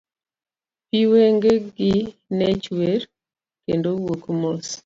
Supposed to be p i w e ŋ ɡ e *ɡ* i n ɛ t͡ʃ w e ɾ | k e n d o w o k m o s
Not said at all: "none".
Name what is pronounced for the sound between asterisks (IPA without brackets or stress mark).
ɡ